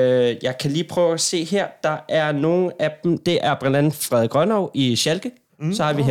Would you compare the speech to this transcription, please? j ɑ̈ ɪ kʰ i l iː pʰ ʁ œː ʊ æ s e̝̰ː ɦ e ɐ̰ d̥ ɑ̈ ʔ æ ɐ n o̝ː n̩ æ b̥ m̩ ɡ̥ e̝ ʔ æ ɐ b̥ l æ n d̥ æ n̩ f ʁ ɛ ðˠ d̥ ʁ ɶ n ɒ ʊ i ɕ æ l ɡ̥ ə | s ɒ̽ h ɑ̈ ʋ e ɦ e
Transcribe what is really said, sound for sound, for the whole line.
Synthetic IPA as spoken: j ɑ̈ ɪ kʰ æ l iː pʰ ʁ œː ʊ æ s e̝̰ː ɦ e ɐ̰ d̥ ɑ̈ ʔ æ ɐ n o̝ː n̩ æ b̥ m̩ d̥ e̝ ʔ æ ɐ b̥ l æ n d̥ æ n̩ f ʁ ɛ ðˠ ɡ̥ ʁ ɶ n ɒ ʊ i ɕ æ l ɡ̥ ə | s ɒ̽ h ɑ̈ ʋ i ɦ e